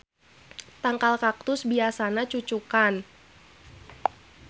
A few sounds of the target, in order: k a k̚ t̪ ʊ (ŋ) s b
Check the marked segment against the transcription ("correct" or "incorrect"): incorrect